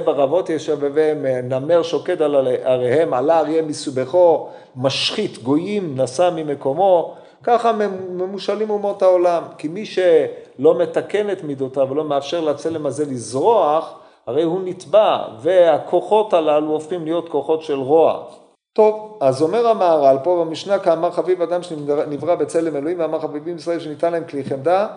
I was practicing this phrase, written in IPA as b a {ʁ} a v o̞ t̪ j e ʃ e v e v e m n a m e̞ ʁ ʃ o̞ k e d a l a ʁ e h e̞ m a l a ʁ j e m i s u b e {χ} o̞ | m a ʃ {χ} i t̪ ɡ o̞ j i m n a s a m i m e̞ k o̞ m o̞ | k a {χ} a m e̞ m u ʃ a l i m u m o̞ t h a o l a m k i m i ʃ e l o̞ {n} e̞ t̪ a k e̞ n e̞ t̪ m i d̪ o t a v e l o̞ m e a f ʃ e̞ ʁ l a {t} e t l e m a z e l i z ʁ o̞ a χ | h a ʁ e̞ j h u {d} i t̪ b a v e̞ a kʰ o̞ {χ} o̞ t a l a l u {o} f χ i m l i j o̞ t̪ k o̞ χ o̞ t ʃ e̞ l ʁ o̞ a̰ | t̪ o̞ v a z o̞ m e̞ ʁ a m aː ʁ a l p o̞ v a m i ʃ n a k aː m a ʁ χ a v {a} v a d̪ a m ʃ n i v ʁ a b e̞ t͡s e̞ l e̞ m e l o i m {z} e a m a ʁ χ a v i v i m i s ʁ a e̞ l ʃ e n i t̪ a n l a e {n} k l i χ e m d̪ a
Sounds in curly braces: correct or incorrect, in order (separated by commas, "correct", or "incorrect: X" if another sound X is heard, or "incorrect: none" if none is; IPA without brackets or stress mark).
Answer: correct, correct, correct, correct, incorrect: m, incorrect: t͡s, incorrect: n, correct, correct, incorrect: i, incorrect: v, incorrect: m